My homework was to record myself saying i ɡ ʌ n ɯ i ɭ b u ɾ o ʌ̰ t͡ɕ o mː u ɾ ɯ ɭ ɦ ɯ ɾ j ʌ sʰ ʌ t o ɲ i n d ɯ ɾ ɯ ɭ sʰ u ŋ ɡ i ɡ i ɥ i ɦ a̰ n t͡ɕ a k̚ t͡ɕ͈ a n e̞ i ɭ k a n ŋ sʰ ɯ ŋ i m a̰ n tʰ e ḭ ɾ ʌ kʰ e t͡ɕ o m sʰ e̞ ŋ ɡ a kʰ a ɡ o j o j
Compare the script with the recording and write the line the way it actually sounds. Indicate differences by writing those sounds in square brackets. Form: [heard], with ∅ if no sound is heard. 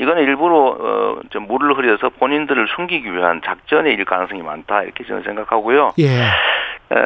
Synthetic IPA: i ɡ ʌ n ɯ i ɭ b u ɾ o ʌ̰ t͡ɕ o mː u ɾ ɯ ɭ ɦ ɯ ɾ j ʌ sʰ ʌ [p] o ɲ i n d ɯ ɾ ɯ ɭ sʰ u ŋ ɡ i ɡ i ɥ i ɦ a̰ n t͡ɕ a k̚ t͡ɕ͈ [ʌ] n e̞ i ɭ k a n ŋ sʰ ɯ ŋ i m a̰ n tʰ [a] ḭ ɾ ʌ kʰ e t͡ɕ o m sʰ e̞ ŋ ɡ a kʰ a ɡ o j o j